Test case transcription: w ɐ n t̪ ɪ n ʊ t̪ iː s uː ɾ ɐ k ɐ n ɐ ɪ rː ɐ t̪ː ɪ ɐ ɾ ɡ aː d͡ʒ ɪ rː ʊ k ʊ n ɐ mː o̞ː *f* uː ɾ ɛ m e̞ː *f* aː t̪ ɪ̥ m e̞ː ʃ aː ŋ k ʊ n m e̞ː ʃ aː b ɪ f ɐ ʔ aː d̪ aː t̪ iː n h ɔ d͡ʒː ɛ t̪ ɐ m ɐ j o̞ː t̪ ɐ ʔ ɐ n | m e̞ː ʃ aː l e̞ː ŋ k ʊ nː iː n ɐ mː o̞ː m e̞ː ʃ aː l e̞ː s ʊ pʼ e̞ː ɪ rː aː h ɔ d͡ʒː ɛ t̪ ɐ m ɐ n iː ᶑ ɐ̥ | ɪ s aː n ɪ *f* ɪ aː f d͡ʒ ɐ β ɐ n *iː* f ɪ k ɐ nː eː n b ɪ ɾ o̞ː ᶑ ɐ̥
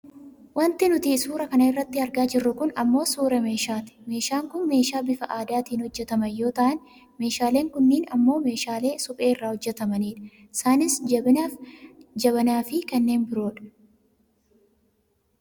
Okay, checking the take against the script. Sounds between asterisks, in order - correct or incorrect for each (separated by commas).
incorrect, incorrect, incorrect, incorrect